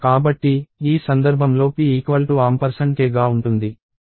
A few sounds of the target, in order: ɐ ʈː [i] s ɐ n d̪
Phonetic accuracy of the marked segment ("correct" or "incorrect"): incorrect